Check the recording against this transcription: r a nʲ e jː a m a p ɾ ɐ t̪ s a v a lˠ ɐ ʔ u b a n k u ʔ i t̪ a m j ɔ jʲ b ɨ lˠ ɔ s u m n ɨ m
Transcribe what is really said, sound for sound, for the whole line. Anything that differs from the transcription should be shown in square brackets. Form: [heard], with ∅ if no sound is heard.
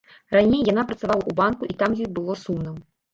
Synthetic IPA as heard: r a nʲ e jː a [n] a p ɾ ɐ t̪ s a v a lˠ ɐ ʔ u b a n k u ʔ i t̪ a m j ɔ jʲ b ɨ lˠ ɔ s u m n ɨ m